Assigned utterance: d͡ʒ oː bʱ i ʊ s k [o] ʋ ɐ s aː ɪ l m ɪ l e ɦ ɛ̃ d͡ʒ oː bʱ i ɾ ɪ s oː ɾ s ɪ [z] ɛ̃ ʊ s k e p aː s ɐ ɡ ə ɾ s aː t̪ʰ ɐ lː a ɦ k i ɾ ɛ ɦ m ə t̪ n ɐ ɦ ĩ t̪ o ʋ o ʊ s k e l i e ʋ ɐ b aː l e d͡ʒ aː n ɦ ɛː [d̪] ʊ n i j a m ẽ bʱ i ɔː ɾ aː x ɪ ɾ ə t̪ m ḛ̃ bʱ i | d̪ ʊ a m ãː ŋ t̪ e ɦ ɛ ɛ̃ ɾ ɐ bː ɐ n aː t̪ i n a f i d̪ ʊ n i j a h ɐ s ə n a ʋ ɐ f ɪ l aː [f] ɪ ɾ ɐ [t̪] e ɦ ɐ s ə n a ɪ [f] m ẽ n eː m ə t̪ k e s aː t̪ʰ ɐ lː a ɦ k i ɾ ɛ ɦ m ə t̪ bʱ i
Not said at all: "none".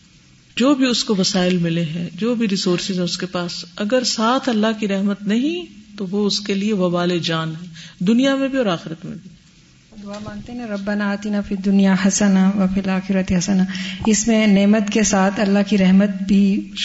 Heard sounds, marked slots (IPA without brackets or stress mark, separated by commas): o, z, d̪, x, t̪, s